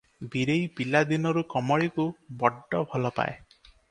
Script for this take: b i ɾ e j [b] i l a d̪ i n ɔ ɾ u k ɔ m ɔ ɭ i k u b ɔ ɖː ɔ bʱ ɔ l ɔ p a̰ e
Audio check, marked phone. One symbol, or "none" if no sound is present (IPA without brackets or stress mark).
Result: p